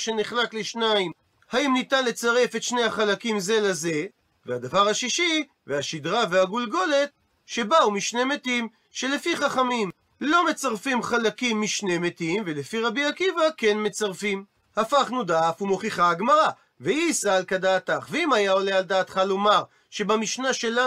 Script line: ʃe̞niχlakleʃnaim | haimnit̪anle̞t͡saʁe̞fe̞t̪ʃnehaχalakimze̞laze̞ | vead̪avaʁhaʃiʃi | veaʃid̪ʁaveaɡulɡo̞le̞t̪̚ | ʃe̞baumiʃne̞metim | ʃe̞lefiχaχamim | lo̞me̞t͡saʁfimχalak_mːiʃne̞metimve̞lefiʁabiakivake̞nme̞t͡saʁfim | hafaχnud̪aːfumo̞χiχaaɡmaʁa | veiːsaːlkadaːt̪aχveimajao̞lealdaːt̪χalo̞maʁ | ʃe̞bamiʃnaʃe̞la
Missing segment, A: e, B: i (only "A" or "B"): B